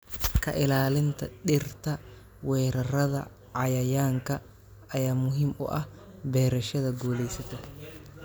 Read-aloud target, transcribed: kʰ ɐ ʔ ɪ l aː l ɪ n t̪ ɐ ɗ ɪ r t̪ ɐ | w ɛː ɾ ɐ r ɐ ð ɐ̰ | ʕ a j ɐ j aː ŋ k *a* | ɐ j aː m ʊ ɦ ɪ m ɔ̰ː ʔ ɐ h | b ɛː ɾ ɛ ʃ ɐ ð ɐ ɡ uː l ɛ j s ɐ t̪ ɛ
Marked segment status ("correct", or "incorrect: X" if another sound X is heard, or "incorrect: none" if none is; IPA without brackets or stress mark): incorrect: ɐ